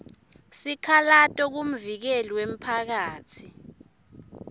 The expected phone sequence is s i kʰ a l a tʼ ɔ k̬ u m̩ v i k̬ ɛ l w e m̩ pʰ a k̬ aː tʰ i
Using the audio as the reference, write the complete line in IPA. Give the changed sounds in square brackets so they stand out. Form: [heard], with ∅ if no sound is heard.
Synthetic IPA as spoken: s i kʰ a l a tʼ ɔ k̬ u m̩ v i k̬ ɛ l w e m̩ pʰ a k̬ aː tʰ i